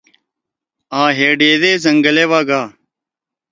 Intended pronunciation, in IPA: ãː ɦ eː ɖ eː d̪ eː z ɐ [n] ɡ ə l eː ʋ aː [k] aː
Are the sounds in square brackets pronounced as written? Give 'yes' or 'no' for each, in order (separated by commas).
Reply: no, no